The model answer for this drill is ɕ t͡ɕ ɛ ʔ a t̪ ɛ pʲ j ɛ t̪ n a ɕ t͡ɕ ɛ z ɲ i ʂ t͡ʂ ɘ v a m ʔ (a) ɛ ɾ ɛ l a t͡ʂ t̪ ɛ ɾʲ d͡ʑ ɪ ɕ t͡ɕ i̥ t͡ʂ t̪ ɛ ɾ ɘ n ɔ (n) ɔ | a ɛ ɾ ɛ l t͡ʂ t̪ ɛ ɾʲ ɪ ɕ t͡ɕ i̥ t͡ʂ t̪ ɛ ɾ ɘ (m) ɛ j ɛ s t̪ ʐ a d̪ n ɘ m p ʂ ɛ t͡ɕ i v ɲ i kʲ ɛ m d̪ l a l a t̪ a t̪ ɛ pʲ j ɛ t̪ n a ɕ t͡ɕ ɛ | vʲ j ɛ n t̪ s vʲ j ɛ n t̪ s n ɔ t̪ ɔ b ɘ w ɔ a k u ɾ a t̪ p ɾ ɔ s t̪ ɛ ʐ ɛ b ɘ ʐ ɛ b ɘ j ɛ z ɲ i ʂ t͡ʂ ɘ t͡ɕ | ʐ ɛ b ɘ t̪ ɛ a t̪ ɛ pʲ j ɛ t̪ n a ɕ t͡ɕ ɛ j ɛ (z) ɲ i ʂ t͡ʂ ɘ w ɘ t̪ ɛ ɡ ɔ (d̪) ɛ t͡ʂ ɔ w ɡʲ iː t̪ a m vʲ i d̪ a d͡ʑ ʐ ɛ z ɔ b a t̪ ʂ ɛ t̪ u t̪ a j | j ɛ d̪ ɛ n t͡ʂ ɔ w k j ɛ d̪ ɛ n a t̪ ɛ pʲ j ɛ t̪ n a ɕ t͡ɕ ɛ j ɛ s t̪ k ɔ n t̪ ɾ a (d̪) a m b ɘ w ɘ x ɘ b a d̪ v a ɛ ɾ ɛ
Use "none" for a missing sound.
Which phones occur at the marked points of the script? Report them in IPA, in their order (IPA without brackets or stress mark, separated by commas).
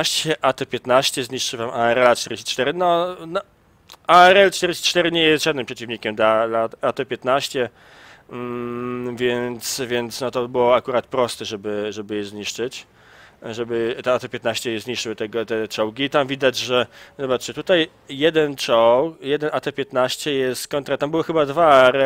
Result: a, n, ɲ, z, t̪, t̪